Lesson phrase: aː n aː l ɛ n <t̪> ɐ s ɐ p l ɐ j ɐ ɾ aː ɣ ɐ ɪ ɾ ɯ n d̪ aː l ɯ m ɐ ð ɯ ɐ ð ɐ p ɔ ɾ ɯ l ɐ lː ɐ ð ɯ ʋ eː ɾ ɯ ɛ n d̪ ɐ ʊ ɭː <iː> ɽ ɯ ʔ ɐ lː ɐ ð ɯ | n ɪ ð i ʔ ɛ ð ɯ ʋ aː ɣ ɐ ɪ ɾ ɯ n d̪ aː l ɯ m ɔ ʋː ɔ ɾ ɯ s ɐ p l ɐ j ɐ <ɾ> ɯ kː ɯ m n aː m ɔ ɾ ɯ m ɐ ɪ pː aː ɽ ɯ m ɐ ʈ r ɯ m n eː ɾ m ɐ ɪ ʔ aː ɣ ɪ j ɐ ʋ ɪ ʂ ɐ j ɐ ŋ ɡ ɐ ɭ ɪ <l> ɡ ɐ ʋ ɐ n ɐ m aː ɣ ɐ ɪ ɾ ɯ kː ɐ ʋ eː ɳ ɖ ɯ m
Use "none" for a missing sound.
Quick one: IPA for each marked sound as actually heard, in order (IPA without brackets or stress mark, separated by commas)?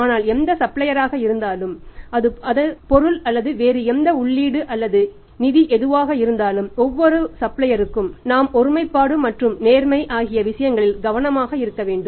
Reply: d̪, iː, ɾ, l